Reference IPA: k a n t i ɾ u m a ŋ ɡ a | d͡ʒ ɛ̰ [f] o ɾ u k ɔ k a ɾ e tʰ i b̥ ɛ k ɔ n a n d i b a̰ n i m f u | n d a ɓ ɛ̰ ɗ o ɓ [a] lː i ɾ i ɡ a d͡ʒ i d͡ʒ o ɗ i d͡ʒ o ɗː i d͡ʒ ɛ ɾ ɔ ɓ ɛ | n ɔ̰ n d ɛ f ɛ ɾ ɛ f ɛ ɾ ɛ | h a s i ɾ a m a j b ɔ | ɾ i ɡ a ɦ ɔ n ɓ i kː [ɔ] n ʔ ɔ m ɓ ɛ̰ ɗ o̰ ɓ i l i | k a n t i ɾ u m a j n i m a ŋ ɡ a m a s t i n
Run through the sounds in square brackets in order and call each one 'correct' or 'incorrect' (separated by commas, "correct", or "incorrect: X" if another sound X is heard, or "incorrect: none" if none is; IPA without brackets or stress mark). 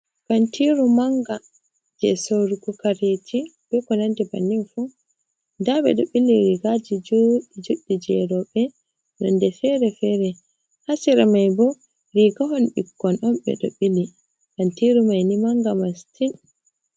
incorrect: s, incorrect: i, correct